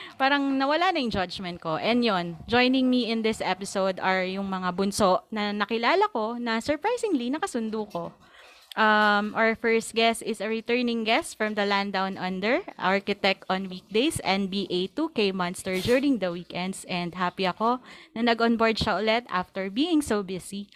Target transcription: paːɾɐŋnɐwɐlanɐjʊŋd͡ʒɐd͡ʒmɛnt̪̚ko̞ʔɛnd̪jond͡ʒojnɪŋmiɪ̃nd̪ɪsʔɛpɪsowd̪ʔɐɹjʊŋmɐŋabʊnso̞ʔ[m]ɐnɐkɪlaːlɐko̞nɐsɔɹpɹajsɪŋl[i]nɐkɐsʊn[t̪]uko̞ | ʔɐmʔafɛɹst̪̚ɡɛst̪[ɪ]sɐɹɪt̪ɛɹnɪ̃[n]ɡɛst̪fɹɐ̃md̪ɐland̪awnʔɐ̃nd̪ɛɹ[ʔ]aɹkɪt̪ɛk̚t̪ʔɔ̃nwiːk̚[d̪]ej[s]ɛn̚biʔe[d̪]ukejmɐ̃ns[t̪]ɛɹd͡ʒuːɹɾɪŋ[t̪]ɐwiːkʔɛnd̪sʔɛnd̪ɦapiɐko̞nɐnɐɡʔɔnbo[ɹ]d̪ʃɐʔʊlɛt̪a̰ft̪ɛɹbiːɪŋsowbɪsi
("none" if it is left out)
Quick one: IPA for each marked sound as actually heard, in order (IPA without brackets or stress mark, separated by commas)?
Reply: n, i, d̪, ɪ, ŋ, ʔ, d̪, s, t̪, t̪, d̪, ɹ